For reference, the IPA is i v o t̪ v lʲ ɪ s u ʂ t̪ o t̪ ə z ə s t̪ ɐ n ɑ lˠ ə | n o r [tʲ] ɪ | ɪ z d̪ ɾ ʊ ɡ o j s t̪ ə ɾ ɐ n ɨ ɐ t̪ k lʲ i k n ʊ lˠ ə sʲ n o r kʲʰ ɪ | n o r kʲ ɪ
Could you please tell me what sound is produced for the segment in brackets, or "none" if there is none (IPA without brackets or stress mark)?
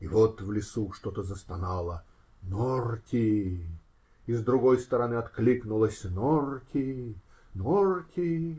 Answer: kʲ